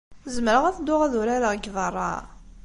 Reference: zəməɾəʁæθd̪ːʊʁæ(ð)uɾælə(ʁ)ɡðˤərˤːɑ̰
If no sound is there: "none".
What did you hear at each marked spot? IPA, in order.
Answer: ð, ʁ

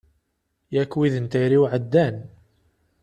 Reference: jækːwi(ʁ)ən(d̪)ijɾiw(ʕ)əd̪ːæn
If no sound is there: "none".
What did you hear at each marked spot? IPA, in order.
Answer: ð, t̪, ʕ

